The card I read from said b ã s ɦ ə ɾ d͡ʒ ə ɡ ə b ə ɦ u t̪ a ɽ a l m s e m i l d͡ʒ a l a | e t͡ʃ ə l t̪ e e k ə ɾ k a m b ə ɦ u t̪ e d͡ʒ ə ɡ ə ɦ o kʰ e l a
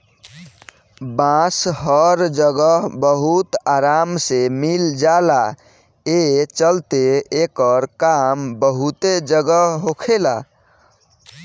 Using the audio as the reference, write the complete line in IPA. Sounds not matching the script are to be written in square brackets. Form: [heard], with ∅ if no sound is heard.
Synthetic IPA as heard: b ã s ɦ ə ɾ d͡ʒ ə ɡ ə b ə ɦ u t̪ a [ɾ] a [∅] m s e m i l d͡ʒ a l a | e t͡ʃ ə l t̪ e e k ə ɾ k a m b ə ɦ u t̪ e d͡ʒ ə ɡ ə ɦ o kʰ e l a